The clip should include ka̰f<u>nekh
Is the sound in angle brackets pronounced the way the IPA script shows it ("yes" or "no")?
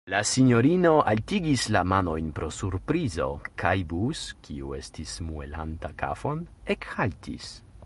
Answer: no